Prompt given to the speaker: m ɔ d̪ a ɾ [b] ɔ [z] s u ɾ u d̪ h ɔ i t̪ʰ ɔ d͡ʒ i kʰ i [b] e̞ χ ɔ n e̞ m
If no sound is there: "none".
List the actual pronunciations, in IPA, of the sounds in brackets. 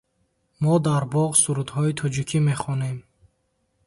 b, ʁ, m

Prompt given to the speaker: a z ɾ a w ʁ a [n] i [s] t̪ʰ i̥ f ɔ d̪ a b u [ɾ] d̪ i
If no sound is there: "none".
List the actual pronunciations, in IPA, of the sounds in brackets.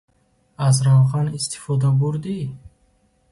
n, s, ɾ

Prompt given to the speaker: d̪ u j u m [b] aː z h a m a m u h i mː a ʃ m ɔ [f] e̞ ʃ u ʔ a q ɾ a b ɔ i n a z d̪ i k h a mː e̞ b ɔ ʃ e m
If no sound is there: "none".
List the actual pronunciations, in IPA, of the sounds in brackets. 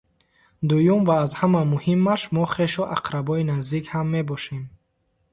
v, χ

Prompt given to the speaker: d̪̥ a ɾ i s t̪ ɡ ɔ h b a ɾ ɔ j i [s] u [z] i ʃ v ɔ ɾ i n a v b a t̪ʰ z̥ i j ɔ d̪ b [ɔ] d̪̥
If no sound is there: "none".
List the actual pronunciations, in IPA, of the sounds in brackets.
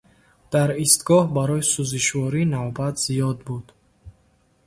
s, z, u

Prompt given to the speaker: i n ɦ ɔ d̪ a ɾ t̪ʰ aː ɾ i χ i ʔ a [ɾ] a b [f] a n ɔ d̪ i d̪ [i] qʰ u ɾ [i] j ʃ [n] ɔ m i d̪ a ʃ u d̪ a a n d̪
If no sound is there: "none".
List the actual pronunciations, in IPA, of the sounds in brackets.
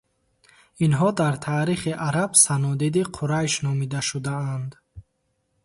ɾ, s, i, a, n

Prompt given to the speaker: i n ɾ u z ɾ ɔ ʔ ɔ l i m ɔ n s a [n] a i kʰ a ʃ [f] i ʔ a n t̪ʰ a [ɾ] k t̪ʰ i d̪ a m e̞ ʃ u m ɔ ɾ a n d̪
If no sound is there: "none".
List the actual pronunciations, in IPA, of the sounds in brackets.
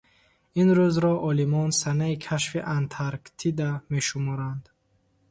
n, f, ɾ

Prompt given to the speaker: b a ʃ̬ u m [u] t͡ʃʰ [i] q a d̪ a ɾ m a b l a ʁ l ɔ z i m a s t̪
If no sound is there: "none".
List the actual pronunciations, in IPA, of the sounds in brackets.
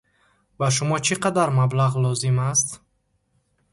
ɔ, i

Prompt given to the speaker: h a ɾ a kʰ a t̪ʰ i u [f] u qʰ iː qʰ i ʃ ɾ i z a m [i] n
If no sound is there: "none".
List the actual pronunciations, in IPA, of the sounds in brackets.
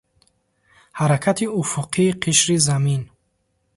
f, i

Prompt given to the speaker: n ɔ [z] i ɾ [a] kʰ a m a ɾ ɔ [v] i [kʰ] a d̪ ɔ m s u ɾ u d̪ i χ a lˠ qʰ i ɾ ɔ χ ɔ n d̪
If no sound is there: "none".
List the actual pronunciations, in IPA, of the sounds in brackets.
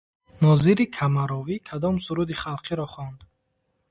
z, i, v, kʰ

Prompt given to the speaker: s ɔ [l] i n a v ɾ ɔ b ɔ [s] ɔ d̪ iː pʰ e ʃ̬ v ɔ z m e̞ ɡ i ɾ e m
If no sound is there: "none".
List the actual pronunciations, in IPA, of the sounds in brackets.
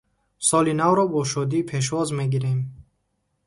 l, ʃ

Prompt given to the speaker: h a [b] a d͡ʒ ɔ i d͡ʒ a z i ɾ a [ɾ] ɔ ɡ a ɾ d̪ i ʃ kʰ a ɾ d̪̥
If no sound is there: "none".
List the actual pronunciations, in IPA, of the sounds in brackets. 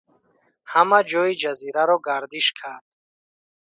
m, ɾ

